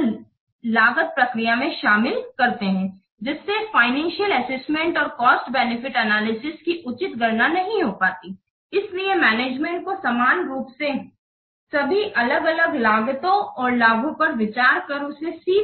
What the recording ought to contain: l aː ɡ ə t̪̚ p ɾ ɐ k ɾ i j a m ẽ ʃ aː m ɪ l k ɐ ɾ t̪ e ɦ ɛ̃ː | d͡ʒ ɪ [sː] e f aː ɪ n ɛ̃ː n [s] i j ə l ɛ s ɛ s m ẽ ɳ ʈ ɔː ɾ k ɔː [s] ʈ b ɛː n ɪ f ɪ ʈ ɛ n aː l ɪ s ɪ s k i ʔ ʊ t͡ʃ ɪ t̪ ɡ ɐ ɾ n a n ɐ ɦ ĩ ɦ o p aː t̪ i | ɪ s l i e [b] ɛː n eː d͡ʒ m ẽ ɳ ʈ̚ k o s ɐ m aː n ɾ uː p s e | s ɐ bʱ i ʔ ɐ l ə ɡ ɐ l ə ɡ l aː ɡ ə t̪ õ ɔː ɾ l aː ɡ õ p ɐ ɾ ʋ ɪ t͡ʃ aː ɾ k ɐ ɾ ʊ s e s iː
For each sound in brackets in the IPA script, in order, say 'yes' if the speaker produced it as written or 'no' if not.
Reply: yes, no, yes, no

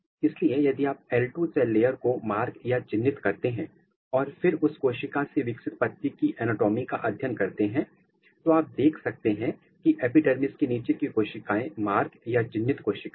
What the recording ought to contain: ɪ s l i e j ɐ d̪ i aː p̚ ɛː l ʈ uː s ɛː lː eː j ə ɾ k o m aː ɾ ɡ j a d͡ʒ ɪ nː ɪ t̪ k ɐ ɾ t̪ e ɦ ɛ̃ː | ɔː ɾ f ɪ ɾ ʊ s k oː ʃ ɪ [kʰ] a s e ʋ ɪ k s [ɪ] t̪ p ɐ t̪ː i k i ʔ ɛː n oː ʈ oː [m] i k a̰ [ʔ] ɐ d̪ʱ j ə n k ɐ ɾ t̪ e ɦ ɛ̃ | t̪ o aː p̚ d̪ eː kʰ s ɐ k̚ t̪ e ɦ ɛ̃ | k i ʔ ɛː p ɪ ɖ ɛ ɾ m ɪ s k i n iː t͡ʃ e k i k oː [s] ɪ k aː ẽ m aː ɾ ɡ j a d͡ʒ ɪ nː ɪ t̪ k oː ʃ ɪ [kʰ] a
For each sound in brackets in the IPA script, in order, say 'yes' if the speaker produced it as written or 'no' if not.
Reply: no, yes, yes, yes, no, no

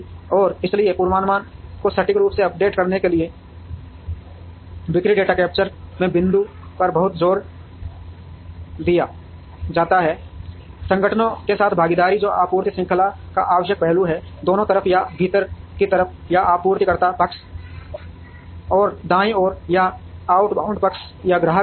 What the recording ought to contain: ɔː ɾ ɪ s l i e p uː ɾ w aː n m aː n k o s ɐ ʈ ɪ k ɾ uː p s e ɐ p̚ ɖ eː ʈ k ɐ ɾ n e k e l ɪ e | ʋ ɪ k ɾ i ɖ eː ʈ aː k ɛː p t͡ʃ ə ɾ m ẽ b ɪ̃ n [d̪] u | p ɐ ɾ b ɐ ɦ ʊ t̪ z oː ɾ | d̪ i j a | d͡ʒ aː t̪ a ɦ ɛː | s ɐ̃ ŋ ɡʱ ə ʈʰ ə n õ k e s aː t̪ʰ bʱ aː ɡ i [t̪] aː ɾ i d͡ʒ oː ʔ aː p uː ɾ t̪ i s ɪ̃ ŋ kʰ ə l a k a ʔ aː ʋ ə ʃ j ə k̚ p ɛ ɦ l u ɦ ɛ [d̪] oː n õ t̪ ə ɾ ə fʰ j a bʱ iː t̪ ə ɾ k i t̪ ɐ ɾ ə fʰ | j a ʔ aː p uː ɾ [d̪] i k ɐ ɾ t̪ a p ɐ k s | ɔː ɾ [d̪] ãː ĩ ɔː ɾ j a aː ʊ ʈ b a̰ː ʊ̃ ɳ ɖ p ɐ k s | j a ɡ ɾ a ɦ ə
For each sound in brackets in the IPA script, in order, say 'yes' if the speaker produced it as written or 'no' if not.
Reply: yes, no, yes, no, yes

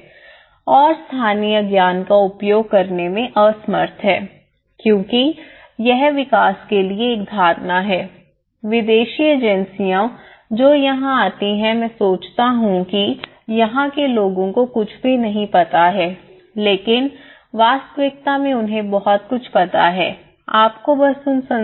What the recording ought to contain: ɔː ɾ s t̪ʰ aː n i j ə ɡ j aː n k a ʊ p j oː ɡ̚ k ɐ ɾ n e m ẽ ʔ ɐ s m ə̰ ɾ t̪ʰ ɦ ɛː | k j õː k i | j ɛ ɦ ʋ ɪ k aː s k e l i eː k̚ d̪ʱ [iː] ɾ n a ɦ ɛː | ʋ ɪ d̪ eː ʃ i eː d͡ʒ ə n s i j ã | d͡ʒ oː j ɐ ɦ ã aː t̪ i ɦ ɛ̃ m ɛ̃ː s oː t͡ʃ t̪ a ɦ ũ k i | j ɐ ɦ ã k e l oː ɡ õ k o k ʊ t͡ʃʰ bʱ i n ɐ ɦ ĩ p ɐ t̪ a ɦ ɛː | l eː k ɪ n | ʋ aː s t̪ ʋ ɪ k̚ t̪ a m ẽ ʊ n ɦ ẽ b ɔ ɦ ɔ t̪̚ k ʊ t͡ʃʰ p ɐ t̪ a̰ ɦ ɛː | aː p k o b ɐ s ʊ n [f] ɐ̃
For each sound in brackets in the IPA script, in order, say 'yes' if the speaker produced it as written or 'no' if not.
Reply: no, no

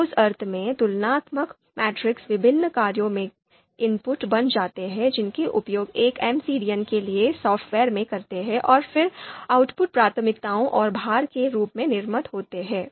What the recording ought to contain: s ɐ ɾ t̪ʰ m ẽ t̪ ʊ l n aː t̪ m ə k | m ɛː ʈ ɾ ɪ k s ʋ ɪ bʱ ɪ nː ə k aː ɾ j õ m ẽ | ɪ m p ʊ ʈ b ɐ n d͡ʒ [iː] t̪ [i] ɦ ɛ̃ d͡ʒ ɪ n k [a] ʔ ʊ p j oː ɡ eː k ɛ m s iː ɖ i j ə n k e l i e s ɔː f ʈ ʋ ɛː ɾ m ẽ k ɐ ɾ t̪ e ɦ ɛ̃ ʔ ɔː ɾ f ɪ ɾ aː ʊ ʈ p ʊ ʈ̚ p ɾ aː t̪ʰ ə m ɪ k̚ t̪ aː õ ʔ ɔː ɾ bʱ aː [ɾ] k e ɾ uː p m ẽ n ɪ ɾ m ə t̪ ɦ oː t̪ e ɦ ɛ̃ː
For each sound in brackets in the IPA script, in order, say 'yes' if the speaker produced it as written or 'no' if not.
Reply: no, no, no, yes

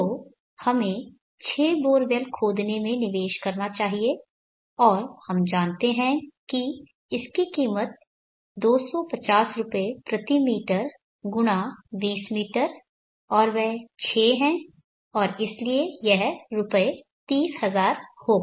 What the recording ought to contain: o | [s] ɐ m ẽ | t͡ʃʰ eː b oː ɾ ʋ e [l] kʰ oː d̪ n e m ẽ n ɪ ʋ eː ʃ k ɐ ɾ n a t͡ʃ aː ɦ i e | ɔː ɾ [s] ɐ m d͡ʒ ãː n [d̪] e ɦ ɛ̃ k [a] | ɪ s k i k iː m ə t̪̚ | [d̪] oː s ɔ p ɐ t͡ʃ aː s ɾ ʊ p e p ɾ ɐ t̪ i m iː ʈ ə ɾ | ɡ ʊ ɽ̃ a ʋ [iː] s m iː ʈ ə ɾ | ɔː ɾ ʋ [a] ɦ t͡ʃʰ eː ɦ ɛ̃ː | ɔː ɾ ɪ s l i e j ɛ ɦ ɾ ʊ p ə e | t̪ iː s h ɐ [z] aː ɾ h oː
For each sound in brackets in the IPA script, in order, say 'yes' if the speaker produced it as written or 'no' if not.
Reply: no, yes, no, no, no, yes, yes, no, yes

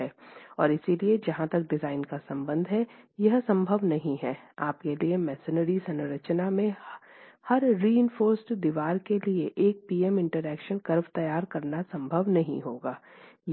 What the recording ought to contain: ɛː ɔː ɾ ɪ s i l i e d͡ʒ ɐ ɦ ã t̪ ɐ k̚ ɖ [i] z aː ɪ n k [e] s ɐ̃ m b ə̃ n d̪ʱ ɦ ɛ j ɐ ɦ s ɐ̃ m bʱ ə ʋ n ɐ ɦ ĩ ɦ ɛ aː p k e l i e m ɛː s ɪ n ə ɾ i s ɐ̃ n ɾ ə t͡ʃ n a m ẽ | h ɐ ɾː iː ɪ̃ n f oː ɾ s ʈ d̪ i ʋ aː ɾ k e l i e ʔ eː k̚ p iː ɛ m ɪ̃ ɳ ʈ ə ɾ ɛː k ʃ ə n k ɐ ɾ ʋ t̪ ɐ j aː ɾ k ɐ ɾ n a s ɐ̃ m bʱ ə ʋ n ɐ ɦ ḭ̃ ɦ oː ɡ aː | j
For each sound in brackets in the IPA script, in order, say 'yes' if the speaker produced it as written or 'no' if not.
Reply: no, no

